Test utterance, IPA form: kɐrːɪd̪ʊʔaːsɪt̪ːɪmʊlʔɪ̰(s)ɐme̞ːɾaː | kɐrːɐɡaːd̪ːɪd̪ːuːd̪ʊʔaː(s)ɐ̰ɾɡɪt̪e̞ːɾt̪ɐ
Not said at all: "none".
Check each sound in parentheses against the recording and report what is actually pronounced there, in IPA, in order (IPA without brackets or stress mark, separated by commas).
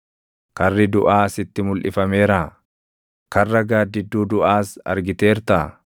f, s